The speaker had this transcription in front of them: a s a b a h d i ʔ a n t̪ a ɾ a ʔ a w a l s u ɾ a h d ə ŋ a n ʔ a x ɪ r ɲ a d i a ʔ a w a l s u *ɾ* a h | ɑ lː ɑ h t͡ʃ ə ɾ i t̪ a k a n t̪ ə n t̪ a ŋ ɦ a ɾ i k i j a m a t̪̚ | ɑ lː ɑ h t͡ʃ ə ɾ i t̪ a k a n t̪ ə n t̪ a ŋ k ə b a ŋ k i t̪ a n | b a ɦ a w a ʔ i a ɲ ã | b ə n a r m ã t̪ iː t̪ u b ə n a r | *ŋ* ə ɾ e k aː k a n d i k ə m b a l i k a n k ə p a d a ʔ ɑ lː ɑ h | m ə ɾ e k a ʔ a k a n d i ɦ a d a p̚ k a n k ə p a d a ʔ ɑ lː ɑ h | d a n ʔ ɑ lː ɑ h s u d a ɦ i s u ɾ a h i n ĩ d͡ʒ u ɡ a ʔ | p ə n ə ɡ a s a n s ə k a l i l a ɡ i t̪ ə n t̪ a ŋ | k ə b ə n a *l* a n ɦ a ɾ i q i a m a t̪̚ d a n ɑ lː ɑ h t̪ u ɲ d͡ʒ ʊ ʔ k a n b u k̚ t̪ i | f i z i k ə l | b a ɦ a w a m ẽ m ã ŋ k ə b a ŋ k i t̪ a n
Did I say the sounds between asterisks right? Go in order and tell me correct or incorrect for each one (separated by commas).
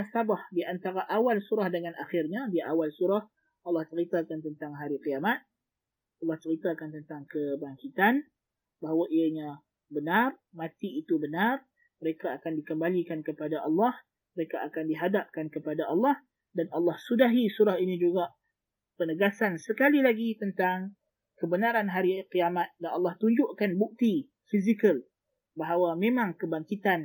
correct, incorrect, incorrect